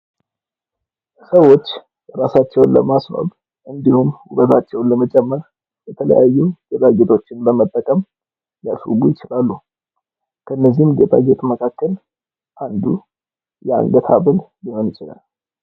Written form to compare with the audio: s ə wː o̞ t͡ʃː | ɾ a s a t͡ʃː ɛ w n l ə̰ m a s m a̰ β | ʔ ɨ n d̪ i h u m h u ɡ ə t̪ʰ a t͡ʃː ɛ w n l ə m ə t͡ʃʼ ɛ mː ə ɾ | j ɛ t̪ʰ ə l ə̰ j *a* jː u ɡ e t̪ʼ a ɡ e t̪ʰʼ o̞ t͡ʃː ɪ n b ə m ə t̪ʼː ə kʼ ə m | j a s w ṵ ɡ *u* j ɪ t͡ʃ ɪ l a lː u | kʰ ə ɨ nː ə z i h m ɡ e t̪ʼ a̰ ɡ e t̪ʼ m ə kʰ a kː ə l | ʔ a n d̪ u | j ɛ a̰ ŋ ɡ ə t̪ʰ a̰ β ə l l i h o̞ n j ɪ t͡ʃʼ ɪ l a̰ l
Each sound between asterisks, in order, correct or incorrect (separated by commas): correct, correct